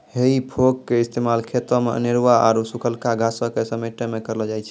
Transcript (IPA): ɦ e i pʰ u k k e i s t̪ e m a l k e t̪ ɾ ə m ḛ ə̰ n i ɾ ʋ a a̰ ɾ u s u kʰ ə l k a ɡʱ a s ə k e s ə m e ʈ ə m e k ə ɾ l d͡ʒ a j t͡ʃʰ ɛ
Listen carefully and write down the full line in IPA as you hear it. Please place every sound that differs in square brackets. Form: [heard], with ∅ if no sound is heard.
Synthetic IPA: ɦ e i pʰ [o] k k e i s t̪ e m a l [kʰ] e t̪ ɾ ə m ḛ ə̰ n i ɾ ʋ a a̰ ɾ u s u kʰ ə l k a ɡʱ a s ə k e s ə m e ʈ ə m e k ə ɾ l d͡ʒ a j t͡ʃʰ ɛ